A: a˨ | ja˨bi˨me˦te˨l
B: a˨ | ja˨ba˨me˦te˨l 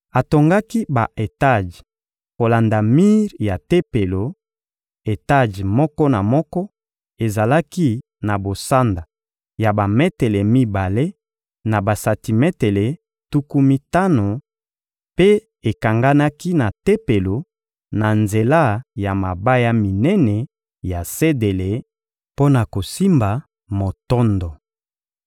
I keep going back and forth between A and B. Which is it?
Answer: B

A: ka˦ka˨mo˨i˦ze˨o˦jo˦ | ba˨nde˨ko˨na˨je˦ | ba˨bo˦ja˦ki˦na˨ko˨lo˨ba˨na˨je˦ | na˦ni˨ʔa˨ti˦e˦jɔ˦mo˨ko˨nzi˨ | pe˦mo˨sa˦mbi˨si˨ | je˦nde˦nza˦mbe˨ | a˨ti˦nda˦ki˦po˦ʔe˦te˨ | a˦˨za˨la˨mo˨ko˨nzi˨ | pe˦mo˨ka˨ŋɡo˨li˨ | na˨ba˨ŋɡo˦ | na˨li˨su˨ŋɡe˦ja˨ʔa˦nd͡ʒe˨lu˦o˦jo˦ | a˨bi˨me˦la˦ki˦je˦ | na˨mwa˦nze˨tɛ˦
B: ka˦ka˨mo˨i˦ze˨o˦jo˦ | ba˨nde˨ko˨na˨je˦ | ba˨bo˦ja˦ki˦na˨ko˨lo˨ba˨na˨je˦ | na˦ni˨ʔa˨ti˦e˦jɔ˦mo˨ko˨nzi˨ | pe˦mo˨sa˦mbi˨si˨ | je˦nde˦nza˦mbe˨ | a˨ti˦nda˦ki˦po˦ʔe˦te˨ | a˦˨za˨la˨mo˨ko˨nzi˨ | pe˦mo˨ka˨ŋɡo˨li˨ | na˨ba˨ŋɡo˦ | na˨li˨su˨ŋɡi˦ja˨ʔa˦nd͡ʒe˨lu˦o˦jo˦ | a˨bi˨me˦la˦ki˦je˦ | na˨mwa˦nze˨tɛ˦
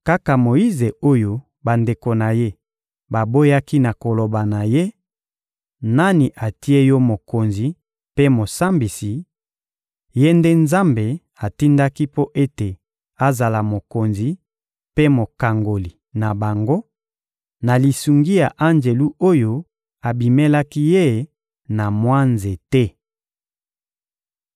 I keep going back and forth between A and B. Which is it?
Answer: B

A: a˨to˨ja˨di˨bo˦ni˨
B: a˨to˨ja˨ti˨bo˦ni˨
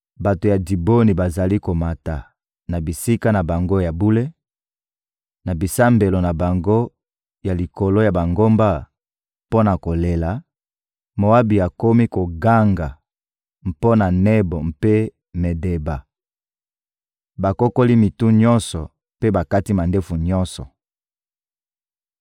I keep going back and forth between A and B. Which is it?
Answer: A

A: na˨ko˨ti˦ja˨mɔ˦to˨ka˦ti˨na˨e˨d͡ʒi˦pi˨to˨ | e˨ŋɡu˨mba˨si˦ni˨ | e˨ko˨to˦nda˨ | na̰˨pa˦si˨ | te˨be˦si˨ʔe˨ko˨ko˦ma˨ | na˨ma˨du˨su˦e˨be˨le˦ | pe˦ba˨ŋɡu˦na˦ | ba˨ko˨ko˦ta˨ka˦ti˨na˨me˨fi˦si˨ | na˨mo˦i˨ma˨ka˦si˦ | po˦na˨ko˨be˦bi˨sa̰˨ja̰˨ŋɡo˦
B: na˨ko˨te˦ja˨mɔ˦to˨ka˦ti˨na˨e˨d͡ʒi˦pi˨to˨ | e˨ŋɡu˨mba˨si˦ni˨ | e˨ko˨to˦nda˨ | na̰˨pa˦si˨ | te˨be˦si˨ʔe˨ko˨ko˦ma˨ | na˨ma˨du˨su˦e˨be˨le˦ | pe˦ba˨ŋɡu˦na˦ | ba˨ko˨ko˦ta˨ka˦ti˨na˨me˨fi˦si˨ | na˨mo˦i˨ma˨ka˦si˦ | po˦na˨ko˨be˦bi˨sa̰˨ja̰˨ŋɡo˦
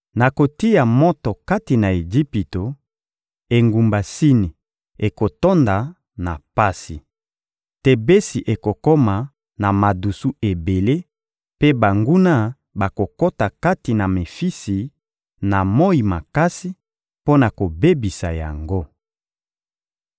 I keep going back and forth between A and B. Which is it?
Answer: A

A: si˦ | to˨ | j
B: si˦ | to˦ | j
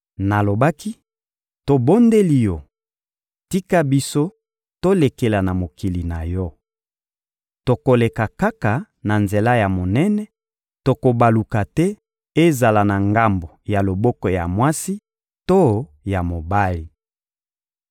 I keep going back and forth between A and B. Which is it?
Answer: B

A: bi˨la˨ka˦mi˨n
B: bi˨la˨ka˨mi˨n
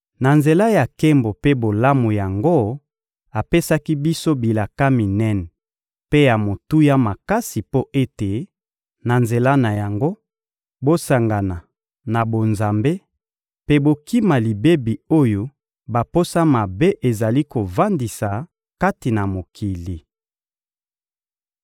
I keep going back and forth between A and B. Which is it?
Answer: A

